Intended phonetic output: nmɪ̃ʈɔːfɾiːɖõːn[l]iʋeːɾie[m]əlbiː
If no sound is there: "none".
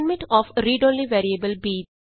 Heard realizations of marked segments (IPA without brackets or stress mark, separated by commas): l, b